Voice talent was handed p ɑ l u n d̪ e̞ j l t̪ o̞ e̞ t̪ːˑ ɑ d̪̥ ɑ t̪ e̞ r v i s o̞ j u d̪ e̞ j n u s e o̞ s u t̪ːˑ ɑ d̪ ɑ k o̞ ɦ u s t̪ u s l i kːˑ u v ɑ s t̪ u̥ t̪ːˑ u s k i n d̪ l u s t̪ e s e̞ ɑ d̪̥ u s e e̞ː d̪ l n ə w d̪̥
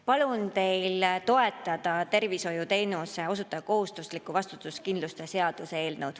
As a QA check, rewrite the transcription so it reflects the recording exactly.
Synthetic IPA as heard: p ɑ l u n t̪ e̞ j l t̪ o̞ e̞ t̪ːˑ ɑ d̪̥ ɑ t̪ e̞ r v i s o̞ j u t̪ e̞ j n u s e o̞ s u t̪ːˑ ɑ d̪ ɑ k o̞ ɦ u s t̪ u s l i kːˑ u v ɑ s t̪ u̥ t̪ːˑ u s k i n d̪ l u s t̪ e s e̞ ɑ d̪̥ u s e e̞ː l n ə w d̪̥